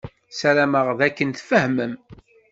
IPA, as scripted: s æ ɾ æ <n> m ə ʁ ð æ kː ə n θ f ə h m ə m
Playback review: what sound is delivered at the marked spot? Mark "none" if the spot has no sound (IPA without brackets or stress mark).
none